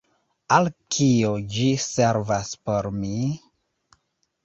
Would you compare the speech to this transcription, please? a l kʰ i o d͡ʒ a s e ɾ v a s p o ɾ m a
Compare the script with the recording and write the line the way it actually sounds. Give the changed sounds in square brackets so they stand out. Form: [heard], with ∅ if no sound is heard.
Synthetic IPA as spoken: a l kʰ i o d͡ʒ [i] s e ɾ v a s p o ɾ m [i]